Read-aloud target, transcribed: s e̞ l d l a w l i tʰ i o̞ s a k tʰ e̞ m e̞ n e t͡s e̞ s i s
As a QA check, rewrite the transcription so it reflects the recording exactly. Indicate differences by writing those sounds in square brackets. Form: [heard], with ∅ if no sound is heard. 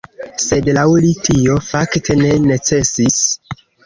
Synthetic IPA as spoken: s e̞ [∅] d l a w l i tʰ i o̞ [f] a k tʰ e̞ [n] e̞ n e t͡s e̞ s i s